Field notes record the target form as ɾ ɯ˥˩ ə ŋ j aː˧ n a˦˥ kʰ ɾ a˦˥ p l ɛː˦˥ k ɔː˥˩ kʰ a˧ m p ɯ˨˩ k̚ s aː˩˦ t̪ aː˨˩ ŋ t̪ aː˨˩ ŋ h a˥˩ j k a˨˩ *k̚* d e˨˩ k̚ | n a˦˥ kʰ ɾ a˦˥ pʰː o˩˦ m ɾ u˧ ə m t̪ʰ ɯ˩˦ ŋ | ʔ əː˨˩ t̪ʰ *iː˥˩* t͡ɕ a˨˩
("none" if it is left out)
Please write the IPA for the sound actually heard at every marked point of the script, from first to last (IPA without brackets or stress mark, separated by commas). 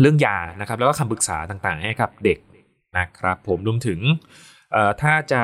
p̚, aː˥˩